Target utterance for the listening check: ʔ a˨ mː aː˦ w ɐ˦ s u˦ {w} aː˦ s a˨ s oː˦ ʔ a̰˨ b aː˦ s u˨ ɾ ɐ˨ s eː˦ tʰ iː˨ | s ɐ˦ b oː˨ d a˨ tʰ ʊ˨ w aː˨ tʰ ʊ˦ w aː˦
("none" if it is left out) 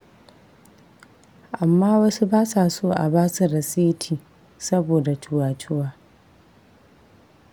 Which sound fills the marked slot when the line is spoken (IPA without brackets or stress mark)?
b